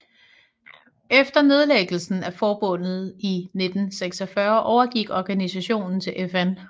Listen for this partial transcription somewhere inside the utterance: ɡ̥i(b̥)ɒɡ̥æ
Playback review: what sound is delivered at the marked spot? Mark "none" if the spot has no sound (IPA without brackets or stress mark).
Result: ɡ̥